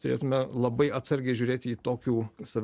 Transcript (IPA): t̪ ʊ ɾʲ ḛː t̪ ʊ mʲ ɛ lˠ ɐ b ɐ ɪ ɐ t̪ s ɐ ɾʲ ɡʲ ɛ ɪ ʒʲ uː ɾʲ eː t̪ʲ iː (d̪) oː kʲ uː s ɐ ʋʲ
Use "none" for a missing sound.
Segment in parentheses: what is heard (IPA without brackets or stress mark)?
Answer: t̪